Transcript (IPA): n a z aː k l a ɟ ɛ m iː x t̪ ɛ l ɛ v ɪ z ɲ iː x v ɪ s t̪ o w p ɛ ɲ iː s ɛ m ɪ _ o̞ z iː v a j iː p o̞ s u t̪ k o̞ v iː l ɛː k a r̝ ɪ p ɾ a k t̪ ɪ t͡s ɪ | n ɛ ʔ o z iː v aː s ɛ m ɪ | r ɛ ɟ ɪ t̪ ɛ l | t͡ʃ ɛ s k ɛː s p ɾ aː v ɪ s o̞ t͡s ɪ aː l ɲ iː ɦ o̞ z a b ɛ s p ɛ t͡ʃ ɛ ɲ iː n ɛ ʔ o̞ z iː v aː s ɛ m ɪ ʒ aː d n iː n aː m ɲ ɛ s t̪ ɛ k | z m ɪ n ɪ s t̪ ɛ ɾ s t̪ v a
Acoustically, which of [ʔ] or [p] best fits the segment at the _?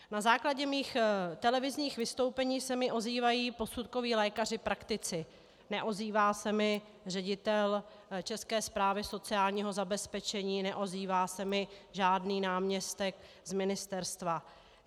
ʔ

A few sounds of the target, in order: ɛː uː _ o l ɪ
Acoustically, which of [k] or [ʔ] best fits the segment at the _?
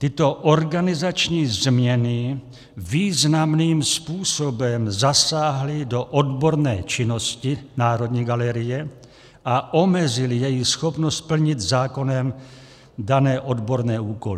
k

